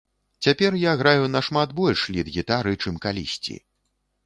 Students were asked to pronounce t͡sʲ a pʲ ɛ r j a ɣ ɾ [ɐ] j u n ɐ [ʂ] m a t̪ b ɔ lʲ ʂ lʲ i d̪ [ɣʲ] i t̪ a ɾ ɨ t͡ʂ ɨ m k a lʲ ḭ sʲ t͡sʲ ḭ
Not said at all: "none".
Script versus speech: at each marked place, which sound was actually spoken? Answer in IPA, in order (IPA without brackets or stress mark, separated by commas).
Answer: a, ʂ, ɣʲ